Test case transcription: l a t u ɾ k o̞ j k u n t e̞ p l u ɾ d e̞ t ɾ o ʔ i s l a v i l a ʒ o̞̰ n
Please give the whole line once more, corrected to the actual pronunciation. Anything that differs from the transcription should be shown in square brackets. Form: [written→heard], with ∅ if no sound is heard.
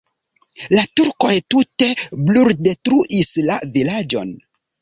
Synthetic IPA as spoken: l a t u ɾ k o̞ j [k→t] u [n→∅] t e̞ [p→b] l u ɾ d e̞ t ɾ [o→u] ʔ i s l a v i l a [ʒ→d͡ʒ] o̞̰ n

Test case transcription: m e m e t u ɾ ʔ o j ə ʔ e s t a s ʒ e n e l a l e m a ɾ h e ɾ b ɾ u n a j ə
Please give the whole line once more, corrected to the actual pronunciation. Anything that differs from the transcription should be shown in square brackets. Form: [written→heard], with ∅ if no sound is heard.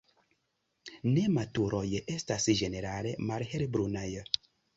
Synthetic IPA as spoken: [m→n] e m [e→a] t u ɾ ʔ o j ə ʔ e s t a s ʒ e n e [l→ɾ] a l e m a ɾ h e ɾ b ɾ u n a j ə

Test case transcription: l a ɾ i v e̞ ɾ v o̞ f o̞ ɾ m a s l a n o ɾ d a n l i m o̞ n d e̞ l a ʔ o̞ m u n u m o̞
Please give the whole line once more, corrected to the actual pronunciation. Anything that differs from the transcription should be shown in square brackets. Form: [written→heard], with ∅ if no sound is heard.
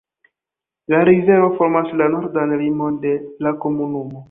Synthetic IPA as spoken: l a ɾ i [v→z] e̞ ɾ v o̞ f o̞ ɾ m a s l a n o ɾ d a n l i m o̞ n d e̞ l a [ʔ→k] o̞ m u n u m o̞

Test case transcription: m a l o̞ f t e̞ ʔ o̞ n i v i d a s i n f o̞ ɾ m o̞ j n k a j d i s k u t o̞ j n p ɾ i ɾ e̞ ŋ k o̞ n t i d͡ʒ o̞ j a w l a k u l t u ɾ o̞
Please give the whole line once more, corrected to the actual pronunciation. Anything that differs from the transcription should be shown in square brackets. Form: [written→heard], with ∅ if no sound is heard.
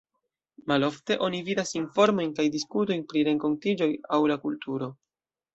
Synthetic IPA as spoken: m a l o̞ f t e̞ ʔ o̞ n i v i d a s i n f o̞ ɾ m o̞ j n k a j d i s k u t o̞ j n p ɾ i ɾ e̞ ŋ k o̞ n t i d͡ʒ o̞ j a w l a k u l t u ɾ o̞

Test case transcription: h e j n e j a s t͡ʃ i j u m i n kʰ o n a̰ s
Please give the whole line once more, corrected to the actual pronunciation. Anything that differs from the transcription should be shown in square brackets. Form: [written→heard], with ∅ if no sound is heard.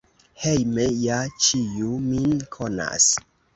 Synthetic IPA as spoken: h e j [n→m] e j a [s→∅] t͡ʃ i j u m i n kʰ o n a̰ s

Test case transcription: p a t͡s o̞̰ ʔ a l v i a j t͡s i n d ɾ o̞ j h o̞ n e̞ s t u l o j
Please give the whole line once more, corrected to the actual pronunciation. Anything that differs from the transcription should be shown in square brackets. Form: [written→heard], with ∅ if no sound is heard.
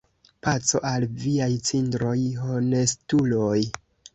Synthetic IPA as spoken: p a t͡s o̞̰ ʔ a l v i a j t͡s i n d ɾ o̞ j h o̞ n e̞ s t u l o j

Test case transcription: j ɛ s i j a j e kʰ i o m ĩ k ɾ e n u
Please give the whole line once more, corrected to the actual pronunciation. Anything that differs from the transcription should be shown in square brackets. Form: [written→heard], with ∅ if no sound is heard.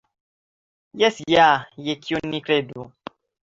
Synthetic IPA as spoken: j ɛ s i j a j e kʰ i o [m→n] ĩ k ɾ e [n→d] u

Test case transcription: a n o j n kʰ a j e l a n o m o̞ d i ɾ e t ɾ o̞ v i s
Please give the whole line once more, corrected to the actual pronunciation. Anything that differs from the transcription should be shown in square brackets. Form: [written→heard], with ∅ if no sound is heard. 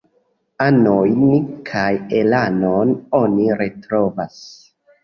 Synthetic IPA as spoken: a n o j n kʰ a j e l a n o [m→n] o̞ [d→n] i ɾ e t ɾ o̞ v [i→a] s

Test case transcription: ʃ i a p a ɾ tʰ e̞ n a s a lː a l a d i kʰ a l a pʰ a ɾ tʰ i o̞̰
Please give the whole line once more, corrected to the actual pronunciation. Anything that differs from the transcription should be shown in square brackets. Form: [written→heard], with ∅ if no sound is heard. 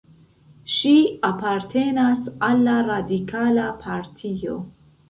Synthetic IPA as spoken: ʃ i a p a ɾ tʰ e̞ n a s a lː a [l→ɾ] a d i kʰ a l a pʰ a ɾ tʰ i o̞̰

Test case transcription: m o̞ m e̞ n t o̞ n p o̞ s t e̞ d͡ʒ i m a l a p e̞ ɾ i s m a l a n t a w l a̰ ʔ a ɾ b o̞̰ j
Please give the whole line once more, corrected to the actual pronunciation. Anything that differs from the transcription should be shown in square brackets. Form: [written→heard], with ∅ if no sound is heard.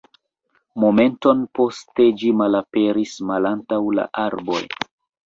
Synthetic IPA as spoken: m o̞ m e̞ n t o̞ n p o̞ s t e̞ d͡ʒ i m a l a p e̞ ɾ i s m a l a n t a w l a̰ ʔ a ɾ b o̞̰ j

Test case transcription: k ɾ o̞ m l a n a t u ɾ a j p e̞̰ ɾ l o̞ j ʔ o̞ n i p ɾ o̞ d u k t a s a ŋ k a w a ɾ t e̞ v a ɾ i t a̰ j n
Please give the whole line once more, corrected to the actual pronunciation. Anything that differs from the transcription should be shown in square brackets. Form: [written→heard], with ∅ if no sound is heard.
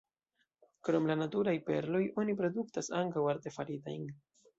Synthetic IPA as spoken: k ɾ o̞ m l a n a t u ɾ a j p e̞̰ ɾ l o̞ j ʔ o̞ n i p ɾ o̞ d u k t a s a ŋ k a w a ɾ t e̞ [v→f] a ɾ i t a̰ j n

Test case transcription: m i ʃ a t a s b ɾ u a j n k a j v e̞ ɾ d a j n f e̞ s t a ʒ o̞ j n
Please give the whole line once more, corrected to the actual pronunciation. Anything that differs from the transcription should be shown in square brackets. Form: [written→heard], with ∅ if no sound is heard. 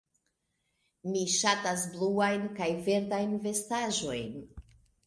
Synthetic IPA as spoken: m i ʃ a t a s b [ɾ→l] u a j n k a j v e̞ ɾ d a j n [f→v] e̞ s t a ʒ o̞ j n

